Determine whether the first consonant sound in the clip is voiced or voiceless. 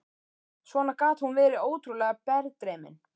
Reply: voiceless